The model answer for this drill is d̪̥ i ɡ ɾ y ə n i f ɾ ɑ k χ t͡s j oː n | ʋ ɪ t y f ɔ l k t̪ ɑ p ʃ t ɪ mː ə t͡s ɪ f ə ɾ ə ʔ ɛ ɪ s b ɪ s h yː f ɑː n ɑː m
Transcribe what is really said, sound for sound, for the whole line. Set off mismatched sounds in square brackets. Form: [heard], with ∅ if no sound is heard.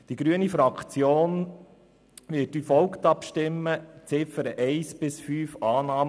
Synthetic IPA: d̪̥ i ɡ ɾ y ə n i f ɾ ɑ k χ t͡s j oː n | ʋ ɪ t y f ɔ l k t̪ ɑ p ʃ t ɪ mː ə t͡s ɪ f ə ɾ ə ʔ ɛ ɪ s b ɪ s [f] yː f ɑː n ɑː m